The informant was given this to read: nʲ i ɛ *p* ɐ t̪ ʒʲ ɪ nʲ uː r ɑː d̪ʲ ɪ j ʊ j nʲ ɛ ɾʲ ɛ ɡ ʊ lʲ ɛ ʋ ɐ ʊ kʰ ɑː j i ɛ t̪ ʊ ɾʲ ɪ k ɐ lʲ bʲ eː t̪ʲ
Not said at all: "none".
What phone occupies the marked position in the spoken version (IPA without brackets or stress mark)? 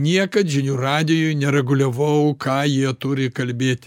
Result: k